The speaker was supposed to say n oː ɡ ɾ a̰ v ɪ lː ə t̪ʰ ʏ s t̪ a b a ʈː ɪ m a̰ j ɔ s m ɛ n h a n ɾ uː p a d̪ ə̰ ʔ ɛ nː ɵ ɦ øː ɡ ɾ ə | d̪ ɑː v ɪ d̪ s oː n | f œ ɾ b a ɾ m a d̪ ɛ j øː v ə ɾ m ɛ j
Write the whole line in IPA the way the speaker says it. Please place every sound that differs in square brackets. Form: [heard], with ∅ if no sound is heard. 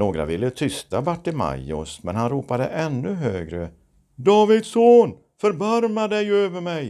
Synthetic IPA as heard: n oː ɡ ɾ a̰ v ɪ lː ə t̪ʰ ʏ s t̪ a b a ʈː ɪ m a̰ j ɔ s m ɛ n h a n ɾ uː p a d̪ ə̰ ʔ ɛ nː ɵ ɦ øː ɡ ɾ ə | d̪ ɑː v ɪ d̪ s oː n | f œ ɾ b a ɾ m a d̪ ɛ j øː v ə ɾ m ɛ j